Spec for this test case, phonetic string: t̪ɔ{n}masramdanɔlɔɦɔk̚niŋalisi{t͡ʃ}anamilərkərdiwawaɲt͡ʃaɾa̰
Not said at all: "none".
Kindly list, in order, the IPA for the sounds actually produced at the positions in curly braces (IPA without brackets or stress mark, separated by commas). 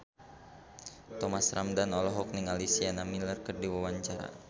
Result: none, none